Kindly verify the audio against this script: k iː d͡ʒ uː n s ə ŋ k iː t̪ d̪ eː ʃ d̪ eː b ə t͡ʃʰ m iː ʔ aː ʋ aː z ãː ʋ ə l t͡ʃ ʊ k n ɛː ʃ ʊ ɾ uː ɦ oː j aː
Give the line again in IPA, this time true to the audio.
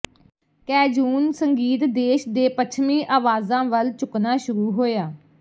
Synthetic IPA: k ɛː d͡ʒ uː n s ə ŋ ɡ iː t̪ d̪ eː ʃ d̪ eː p ə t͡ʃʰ m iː ʔ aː ʋ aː z ãː ʋ ə l t͡ʃ ʊ k n aː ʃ ʊ ɾ uː ɦ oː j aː